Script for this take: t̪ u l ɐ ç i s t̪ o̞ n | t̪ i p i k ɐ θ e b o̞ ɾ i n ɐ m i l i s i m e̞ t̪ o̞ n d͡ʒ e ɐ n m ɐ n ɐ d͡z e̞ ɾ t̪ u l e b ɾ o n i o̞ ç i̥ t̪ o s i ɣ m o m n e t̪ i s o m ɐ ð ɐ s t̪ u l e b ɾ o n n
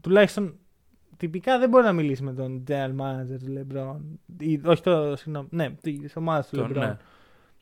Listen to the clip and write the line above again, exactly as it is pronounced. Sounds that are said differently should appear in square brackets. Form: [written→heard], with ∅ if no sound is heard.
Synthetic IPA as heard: t̪ u l ɐ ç i s t̪ o̞ n | t̪ i p i k ɐ [θ→ð] e b o̞ ɾ i n ɐ m i l i s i m e̞ t̪ o̞ n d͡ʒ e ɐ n m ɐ n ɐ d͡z e̞ ɾ t̪ u l e b ɾ o n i o̞ ç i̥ t̪ o s i ɣ [m→n] o m n e t̪ i s o m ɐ ð ɐ s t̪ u l e b ɾ o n n